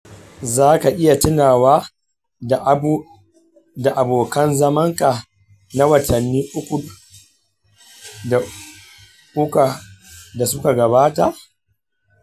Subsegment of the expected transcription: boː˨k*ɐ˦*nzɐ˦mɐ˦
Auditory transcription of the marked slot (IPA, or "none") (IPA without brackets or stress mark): ɐ˦